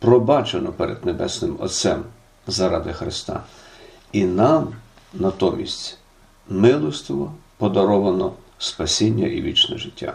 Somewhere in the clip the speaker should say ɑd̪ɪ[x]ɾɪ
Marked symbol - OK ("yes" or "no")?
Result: yes